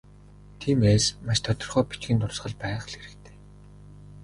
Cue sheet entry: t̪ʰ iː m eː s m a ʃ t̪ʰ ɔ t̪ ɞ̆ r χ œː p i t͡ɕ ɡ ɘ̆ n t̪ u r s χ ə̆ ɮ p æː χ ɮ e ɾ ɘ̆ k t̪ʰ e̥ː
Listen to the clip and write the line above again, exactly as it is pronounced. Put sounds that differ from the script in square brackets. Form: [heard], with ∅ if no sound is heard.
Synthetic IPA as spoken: t̪ʰ iː m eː s m a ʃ t̪ʰ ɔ t̪ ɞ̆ r χ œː p i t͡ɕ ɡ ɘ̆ n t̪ [ʊ] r s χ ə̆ ɮ p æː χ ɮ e ɾ ɘ̆ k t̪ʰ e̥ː